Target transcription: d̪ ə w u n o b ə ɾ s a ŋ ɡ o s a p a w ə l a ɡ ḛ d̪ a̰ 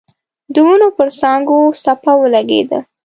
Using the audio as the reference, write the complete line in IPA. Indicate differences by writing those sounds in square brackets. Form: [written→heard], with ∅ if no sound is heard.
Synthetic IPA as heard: d̪ ə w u n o [b→p] ə ɾ s [a→ɑ] ŋ ɡ o s a p a w ə l a ɡ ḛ d̪ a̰